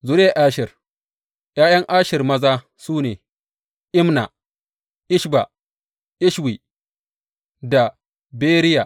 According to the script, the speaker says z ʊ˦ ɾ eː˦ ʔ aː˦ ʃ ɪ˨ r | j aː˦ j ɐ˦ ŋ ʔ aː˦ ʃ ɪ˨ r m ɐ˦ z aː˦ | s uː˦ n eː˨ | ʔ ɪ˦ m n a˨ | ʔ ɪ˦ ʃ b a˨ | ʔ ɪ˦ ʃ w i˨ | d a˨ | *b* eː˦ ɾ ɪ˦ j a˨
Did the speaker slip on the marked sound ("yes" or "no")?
no